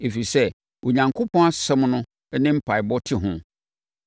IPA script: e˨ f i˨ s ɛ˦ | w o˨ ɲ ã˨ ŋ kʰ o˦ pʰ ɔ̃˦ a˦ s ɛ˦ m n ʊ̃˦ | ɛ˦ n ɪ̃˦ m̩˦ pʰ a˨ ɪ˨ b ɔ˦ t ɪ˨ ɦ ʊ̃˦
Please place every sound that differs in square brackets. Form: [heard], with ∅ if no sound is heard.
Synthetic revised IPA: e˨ f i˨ s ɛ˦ | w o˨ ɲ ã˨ ŋ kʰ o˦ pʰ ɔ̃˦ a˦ s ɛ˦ m n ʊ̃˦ | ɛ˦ n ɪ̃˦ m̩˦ pʰ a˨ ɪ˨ b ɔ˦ [tʰ] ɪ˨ ɦ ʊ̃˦